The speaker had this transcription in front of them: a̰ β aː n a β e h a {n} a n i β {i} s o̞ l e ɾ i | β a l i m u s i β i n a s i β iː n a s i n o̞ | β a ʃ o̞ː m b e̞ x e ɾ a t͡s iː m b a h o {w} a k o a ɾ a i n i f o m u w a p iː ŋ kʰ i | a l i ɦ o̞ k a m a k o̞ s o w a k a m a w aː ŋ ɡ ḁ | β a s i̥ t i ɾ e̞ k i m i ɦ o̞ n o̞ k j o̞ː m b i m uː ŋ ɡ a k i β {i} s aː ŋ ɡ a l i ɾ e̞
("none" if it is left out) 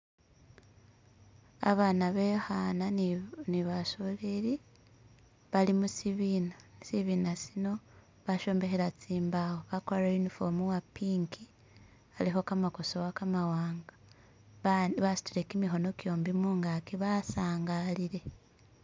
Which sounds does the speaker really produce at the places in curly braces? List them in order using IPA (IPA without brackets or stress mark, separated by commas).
n, a, β, a